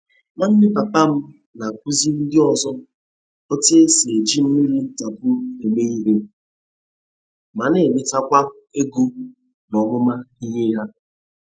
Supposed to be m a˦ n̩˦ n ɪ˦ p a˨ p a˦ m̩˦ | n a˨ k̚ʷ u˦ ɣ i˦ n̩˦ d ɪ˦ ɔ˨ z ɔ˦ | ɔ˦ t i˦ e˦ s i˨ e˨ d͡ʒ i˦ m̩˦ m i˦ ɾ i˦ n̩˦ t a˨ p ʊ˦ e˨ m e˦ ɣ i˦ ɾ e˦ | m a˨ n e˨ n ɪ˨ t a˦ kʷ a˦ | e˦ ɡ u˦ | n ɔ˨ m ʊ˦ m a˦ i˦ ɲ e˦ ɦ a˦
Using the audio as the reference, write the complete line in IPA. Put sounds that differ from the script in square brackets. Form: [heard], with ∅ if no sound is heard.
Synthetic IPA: m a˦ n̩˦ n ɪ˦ p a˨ p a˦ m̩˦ | n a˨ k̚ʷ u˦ [z] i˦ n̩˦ d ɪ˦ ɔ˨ z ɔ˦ | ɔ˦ t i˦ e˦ s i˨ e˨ d͡ʒ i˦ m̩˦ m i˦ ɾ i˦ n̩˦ t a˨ p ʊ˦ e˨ m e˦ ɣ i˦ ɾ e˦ | m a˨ n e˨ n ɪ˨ t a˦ kʷ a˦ | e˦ ɡ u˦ | n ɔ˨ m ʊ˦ m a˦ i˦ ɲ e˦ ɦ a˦